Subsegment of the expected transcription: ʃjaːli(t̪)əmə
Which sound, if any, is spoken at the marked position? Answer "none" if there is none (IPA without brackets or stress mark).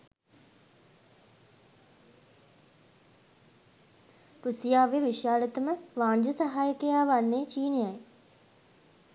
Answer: t̪